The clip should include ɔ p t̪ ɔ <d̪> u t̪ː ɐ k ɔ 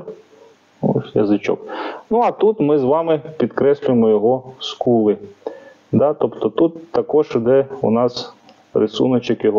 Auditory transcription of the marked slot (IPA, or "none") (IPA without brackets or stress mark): t̪